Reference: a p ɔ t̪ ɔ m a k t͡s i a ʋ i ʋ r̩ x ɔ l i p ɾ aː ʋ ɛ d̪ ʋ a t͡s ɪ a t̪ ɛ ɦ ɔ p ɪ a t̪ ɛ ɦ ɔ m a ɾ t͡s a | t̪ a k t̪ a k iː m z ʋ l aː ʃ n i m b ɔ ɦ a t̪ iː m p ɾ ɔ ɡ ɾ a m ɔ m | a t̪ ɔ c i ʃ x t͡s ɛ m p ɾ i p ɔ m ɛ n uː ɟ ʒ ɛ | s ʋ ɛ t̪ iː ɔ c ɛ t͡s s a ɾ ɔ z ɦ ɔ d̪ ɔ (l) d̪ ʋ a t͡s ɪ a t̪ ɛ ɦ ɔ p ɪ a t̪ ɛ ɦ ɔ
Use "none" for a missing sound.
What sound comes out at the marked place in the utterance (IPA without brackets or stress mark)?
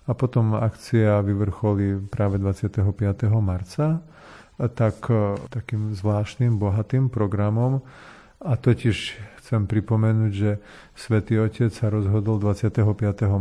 l